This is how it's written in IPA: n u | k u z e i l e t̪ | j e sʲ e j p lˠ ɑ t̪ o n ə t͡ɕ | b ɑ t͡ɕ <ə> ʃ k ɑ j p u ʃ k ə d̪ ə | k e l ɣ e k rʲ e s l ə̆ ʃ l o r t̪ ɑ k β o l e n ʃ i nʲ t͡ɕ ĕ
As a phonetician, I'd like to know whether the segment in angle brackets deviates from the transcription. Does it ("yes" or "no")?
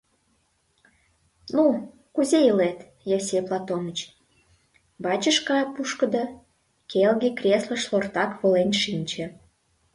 no